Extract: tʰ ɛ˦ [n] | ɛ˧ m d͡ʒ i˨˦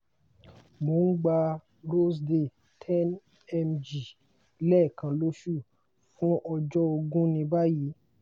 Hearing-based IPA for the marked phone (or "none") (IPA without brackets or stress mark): n